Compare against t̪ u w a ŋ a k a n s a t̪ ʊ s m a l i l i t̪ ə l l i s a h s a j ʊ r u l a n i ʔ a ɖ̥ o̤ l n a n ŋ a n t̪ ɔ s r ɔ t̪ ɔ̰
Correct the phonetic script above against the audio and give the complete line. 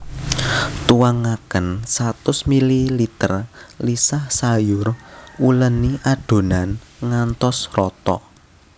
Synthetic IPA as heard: t̪ u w a ŋ a k ə n s a t̪ ʊ s m i l i l i t̪ ə r l i s a h s a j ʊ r u l ə n i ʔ a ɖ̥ o̤ n a n ŋ a n t̪ ɔ s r ɔ t̪ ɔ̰